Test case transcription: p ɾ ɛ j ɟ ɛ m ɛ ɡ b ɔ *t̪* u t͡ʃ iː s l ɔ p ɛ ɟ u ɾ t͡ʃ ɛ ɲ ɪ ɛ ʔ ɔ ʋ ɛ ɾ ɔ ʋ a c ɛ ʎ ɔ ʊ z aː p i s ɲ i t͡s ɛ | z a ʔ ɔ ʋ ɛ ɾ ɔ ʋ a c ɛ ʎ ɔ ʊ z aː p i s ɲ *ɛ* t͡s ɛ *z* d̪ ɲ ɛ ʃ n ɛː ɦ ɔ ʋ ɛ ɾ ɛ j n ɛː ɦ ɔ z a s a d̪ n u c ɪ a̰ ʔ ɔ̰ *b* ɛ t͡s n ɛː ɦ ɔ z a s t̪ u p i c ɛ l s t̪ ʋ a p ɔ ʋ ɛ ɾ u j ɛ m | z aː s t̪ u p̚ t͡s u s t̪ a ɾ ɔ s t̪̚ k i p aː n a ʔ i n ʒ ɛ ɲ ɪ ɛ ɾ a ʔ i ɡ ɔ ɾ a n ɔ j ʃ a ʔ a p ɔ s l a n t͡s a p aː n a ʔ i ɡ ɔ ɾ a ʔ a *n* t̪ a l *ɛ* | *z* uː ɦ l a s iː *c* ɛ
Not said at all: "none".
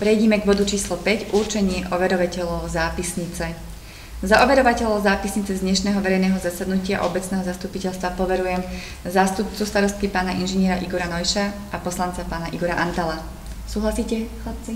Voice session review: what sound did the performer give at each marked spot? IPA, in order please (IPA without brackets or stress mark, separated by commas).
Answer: d̪, i, z, b, n, a, s, c